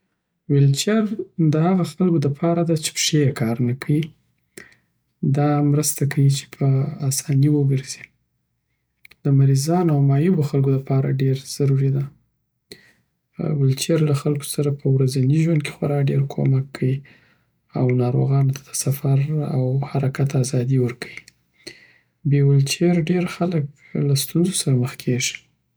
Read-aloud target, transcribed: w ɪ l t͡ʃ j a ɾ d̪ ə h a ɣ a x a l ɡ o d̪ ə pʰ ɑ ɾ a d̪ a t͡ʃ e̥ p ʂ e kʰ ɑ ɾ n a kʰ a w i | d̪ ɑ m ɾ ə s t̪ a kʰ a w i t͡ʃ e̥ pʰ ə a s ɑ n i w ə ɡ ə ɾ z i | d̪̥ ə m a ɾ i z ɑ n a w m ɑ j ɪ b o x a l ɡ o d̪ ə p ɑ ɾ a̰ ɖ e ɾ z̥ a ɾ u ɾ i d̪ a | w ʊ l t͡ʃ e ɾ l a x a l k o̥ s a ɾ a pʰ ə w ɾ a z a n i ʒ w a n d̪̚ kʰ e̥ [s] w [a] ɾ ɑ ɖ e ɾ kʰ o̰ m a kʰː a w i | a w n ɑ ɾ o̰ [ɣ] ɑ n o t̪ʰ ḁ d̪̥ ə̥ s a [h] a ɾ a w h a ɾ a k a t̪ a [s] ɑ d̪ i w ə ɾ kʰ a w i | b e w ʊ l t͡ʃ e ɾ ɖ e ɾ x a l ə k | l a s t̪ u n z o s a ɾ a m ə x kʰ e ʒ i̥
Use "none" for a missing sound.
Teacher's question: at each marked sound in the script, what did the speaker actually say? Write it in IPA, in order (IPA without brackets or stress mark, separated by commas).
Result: x, a, ɣ, f, z